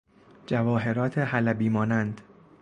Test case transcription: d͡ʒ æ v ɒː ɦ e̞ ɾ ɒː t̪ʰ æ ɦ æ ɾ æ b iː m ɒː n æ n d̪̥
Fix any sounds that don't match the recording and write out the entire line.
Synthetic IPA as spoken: d͡ʒ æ v ɒː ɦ e̞ ɾ ɒː t̪ʰ e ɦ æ l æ b iː m ɒː n æ n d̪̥